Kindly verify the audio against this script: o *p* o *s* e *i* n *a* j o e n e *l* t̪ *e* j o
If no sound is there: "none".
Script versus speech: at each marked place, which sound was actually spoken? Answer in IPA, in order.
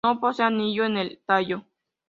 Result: p, s, a, i, l, a

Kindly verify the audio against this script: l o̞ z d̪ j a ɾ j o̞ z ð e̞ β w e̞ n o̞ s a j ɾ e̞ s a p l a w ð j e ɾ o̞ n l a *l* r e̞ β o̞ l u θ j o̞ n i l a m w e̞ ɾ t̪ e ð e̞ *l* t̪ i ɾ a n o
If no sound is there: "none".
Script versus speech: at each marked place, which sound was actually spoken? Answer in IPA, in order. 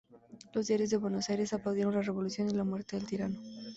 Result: none, l

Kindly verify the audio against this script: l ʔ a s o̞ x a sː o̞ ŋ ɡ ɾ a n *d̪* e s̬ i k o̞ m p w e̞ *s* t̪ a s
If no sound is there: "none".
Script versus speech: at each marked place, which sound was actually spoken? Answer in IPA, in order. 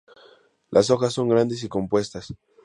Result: d̪, s

